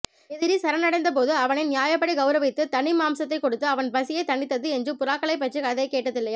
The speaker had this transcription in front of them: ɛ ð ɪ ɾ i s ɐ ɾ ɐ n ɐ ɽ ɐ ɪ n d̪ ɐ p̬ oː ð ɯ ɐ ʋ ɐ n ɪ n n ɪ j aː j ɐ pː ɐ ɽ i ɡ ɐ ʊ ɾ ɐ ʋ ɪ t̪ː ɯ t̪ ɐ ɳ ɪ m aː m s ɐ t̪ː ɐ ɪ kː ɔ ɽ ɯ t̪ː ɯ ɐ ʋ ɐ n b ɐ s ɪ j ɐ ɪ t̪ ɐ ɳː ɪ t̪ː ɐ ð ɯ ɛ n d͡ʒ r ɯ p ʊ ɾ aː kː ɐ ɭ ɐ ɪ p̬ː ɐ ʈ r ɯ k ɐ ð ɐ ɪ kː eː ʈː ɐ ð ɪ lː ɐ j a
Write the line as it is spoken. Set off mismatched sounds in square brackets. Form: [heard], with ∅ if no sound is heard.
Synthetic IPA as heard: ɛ ð ɪ ɾ i s ɐ ɾ ɐ n ɐ ɽ ɐ ɪ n d̪ ɐ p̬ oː ð ɯ ɐ ʋ ɐ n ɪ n n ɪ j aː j ɐ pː ɐ ɽ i ɡ ɐ ʊ ɾ ɐ ʋ ɪ t̪ː ɯ t̪ ɐ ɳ ɪ m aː m s ɐ t̪ː ɐ ɪ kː ɔ ɽ ɯ t̪ː ɯ ɐ ʋ ɐ n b ɐ s ɪ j ɐ ɪ t̪ ɐ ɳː ɪ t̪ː ɐ ð ɯ ɛ n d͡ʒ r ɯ p ʊ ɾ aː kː ɐ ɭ ɐ ɪ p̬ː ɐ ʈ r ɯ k ɐ ð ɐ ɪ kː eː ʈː ɐ ð ɪ lː ɐ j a

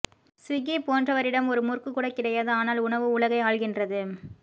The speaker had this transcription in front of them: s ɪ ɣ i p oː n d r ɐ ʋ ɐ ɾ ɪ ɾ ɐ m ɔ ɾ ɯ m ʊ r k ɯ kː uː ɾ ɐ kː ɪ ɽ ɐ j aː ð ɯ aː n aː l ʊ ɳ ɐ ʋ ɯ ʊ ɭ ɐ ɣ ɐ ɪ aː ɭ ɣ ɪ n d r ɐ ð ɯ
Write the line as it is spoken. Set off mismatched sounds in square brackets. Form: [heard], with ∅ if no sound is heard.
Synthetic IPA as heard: s ɪ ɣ i p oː n d r ɐ ʋ ɐ ɾ ɪ [ɽ] ɐ m ɔ ɾ ɯ m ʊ r k ɯ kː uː [ɽ] ɐ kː ɪ ɽ ɐ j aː ð ɯ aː n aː l ʊ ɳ ɐ ʋ ɯ ʊ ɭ ɐ ɣ ɐ ɪ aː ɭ ɣ ɪ n d r ɐ ð ɯ

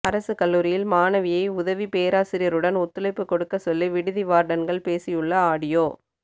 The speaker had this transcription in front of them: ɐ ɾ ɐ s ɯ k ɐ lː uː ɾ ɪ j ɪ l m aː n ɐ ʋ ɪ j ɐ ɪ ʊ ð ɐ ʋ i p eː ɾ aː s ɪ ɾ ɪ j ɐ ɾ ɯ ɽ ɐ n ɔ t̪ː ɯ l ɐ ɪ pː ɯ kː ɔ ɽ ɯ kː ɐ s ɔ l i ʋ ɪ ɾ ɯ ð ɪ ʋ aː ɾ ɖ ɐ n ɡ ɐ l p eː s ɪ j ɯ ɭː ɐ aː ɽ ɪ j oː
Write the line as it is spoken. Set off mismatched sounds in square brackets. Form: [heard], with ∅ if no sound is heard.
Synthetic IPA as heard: ɐ ɾ ɐ s ɯ k ɐ lː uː ɾ ɪ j ɪ l m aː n ɐ ʋ ɪ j ɐ ɪ ʊ ð ɐ ʋ i p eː ɾ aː s ɪ ɾ ɪ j ɐ ɾ ɯ ɽ ɐ n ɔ t̪ː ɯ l ɐ ɪ pː ɯ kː ɔ ɽ ɯ kː ɐ s ɔ [lː] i ʋ ɪ [ɽ] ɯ ð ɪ ʋ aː ɾ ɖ ɐ n ɡ ɐ [ɭ] p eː s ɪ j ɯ ɭː ɐ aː ɽ ɪ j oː

